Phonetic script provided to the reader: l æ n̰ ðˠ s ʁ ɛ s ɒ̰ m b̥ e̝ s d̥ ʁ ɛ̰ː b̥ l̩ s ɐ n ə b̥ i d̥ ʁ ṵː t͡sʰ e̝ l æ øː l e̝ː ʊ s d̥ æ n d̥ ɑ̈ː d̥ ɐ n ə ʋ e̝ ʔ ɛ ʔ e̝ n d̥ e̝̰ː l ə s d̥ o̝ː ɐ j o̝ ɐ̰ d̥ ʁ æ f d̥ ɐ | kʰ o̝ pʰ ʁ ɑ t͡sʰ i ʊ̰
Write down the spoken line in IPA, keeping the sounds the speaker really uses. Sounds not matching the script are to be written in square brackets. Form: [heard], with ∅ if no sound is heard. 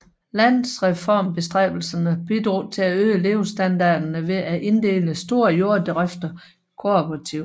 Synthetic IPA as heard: l æ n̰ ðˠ s ʁ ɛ [f] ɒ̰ m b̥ e̝ s d̥ ʁ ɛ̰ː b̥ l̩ s ɐ n ə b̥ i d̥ ʁ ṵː t͡sʰ e̝ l æ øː l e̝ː ʊ s d̥ æ n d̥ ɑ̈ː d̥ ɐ n ə ʋ e̝ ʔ [æ] ʔ e̝ n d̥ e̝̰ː l ə s d̥ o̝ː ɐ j o̝ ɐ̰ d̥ ʁ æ f d̥ ɐ | kʰ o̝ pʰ ʁ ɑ t͡sʰ i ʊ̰

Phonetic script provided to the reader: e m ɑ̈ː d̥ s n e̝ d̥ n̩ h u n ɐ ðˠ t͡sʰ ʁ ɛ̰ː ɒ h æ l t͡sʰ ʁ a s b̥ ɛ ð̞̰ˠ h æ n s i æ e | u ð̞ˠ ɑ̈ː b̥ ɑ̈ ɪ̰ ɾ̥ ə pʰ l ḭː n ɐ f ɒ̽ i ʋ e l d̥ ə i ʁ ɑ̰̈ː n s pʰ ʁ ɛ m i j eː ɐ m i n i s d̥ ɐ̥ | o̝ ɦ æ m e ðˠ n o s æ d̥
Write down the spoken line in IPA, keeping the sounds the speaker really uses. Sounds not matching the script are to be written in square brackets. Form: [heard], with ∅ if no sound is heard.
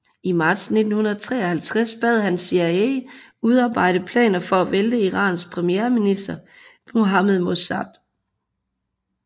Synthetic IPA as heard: [i] m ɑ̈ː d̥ s n e̝ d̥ n̩ h u n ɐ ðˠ t͡sʰ ʁ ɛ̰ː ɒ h æ l t͡sʰ ʁ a s b̥ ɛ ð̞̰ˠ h æ n s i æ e | u ð̞ˠ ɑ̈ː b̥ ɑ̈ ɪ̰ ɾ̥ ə pʰ l [ɛ̰ː] n ɐ f ɒ̽ [æ] ʋ e l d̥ ə i ʁ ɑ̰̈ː n s pʰ ʁ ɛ m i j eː ɐ m i n i s d̥ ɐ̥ | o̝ ɦ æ m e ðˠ [m] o s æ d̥

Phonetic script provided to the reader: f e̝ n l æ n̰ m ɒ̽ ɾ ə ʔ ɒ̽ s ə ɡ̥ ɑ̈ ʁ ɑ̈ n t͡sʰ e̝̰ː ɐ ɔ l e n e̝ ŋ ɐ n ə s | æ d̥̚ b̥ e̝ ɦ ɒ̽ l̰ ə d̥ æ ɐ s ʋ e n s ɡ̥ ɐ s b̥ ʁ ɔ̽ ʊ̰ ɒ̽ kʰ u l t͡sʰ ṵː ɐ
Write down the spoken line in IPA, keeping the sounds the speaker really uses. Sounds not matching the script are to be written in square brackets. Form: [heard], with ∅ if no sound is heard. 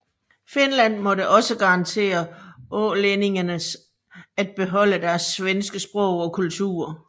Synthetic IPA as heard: f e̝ n l æ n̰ m ɒ̽ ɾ ə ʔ ɒ̽ s ə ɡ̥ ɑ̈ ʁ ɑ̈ n t͡sʰ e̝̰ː ɐ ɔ l e n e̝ ŋ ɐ n ə s | æ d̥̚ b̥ e̝ ɦ ɒ̽ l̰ ə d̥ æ ɐ s ʋ e n s ɡ̥ [ə] s b̥ ʁ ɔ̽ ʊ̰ ɒ̽ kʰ u l t͡sʰ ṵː ɐ

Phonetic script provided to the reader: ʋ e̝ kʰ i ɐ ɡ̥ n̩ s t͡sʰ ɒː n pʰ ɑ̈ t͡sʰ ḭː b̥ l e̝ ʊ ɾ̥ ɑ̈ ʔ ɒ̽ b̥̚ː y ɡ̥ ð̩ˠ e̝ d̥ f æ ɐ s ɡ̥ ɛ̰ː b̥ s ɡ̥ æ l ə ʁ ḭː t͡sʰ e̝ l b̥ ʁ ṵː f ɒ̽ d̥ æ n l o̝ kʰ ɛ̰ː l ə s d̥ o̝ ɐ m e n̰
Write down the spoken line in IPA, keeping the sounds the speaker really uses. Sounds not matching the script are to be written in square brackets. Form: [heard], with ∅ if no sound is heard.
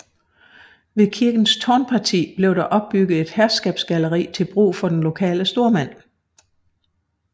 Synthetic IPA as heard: ʋ e̝ kʰ i ɐ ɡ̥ n̩ s t͡sʰ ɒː n pʰ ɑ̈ t͡sʰ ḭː b̥ l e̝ ʊ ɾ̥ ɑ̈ ʔ ɒ̽ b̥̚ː y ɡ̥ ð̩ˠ e̝ d̥ [h] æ ɐ s ɡ̥ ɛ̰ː b̥ s ɡ̥ æ l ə ʁ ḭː t͡sʰ e̝ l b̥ ʁ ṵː f ɒ̽ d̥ [e] n l o̝ kʰ ɛ̰ː l ə s d̥ o̝ ɐ m [æ] n̰

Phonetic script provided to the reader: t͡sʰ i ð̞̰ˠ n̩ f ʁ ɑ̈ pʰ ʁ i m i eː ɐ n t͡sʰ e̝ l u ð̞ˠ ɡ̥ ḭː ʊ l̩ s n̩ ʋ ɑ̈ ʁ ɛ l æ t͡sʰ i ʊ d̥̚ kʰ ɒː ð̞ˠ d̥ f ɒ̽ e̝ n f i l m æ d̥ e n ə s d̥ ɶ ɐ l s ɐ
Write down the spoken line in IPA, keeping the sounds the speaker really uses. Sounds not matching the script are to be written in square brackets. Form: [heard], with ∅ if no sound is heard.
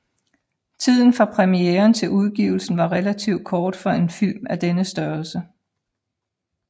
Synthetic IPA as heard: t͡sʰ i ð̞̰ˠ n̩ f ʁ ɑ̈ pʰ ʁ [ɛ] m i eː ɐ n t͡sʰ e̝ l u ð̞ˠ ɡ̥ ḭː ʊ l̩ s n̩ ʋ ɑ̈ ʁ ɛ l æ t͡sʰ i ʊ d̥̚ kʰ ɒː [∅] d̥ f ɒ̽ e̝ n f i l m æ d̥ e n ə s d̥ ɶ ɐ l s [ə]

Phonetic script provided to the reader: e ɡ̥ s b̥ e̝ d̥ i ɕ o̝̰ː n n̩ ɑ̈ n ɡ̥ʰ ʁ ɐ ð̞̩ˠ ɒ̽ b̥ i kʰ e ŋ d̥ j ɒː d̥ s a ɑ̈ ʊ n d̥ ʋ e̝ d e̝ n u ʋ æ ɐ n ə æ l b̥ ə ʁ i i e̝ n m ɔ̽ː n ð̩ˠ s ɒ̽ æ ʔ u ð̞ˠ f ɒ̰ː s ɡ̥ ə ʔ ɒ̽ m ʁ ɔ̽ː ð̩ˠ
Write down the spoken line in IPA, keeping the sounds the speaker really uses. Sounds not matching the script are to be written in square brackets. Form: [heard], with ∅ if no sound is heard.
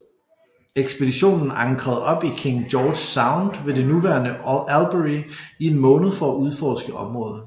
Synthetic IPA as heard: e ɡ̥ s b̥ e̝ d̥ i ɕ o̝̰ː n n̩ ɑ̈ [ŋ] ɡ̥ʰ ʁ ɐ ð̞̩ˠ ɒ̽ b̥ i kʰ e ŋ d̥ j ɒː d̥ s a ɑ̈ ʊ n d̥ ʋ e̝ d e̝ n u ʋ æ ɐ n ə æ l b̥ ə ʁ i i e̝ n m ɔ̽ː n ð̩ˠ [f] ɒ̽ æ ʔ u ð̞ˠ f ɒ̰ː s ɡ̥ ə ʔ ɒ̽ m ʁ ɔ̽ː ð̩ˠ

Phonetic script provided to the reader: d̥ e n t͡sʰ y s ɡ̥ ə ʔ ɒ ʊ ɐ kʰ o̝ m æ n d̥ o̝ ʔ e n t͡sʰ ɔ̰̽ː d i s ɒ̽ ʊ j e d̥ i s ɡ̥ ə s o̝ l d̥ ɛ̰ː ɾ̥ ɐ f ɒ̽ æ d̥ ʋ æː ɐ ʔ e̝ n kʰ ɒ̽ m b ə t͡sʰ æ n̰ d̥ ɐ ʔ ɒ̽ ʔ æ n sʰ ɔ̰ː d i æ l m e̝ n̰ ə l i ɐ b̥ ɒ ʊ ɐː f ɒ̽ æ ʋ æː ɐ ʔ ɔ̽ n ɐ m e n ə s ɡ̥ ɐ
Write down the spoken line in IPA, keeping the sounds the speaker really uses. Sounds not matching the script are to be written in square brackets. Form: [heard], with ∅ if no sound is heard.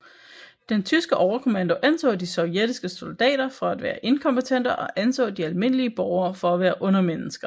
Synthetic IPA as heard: d̥ e n t͡sʰ y s ɡ̥ ə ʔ ɒ ʊ ɐ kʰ o̝ m æ n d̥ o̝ ʔ [æ] n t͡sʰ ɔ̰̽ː d i s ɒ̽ ʊ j e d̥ i s ɡ̥ ə s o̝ l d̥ ɛ̰ː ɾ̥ ɐ f ɒ̽ æ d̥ ʋ æː ɐ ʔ e̝ n kʰ ɒ̽ m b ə t͡sʰ [e] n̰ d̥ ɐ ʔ ɒ̽ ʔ æ n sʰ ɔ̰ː d i æ l m e̝ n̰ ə l i [ə] b̥ ɒ ʊ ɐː f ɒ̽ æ ʋ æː ɐ ʔ ɔ̽ n ɐ m e n ə s ɡ̥ ɐ

